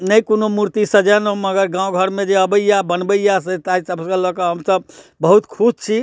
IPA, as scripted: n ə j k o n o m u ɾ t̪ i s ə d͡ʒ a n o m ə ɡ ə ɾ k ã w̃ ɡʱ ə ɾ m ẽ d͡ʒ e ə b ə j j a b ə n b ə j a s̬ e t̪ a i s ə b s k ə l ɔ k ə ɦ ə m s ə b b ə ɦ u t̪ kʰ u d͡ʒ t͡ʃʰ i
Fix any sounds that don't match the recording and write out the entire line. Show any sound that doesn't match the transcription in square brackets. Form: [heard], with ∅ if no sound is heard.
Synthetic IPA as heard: n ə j k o n o m u ɾ t̪ i s ə d͡ʒ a n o m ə ɡ ə ɾ [ɡ] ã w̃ ɡʱ ə ɾ m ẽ d͡ʒ e ə b ə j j a b ə n b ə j a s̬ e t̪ a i s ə b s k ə l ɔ k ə ɦ ə m s ə b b ə ɦ u t̪ kʰ u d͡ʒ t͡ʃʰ i